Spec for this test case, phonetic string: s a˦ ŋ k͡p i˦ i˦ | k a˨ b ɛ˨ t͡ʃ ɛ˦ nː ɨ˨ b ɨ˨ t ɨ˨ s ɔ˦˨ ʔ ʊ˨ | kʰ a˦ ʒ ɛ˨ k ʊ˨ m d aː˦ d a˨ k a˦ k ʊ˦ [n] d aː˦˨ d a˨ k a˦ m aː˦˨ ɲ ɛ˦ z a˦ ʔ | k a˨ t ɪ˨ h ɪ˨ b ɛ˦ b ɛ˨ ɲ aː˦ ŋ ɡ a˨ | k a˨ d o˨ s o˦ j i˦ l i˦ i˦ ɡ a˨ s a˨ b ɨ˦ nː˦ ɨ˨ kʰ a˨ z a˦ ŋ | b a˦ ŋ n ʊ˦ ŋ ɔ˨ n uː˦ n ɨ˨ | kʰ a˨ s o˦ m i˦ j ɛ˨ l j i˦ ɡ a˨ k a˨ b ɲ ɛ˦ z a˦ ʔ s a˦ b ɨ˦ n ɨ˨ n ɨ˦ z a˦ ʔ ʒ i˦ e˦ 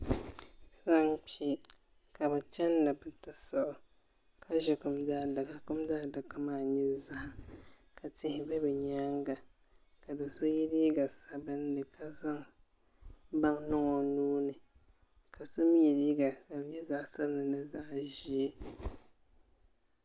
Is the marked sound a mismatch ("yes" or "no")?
yes